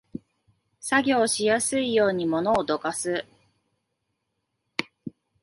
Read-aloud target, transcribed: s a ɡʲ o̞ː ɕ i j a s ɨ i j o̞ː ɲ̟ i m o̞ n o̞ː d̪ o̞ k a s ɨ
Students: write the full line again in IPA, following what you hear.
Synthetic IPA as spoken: s a ɡʲ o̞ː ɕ i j a s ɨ i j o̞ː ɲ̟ i m o̞ n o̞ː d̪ o̞ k a s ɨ